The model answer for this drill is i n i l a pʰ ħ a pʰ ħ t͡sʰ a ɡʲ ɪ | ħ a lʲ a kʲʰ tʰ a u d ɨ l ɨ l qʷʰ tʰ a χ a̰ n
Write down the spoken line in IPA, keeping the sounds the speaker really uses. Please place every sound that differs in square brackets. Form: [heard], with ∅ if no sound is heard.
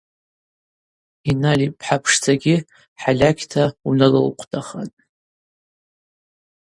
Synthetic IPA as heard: i n [a] l [i] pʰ ħ a pʰ [ʂ] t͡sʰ a ɡʲ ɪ | ħ a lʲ a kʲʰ tʰ a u [n] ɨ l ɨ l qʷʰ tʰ a χ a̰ n